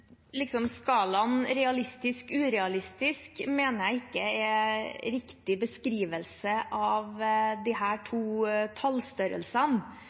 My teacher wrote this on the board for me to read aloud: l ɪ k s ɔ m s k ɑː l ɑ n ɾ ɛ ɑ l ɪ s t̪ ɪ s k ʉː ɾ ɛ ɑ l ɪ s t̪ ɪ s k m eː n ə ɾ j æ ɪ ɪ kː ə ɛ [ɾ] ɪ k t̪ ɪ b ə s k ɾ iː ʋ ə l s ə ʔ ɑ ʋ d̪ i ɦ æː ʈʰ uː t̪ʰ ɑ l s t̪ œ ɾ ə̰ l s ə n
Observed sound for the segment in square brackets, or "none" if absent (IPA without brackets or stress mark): ɾ